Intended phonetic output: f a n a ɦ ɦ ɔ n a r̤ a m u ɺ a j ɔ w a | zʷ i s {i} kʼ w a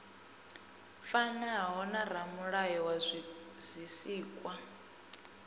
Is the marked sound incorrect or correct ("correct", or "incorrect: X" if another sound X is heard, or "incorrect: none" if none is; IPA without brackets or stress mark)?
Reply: incorrect: iː